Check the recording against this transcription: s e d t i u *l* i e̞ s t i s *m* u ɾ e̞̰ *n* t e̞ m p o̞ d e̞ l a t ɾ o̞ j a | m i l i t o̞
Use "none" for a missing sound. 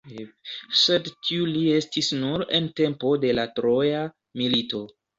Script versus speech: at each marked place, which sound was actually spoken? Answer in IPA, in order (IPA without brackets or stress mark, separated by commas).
l, n, n